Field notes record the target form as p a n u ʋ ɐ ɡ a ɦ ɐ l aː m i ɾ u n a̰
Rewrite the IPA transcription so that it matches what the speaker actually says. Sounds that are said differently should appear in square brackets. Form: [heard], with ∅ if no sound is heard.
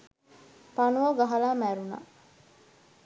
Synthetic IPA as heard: p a n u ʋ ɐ ɡ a ɦ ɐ l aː m [æ] ɾ u n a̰